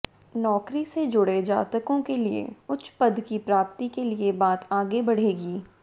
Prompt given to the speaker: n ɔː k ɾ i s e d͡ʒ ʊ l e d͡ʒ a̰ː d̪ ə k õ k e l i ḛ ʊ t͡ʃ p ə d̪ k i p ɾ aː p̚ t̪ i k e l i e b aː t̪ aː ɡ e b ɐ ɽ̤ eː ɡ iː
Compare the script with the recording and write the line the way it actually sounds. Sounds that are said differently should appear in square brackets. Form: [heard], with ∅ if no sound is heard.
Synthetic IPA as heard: n ɔː k ɾ i s e d͡ʒ ʊ [ɽ] e d͡ʒ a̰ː [t̪] ə k õ k e l i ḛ ʊ t͡ʃ p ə d̪ k i p ɾ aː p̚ t̪ i k e l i e b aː t̪ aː ɡ e b ɐ ɽ̤ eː ɡ iː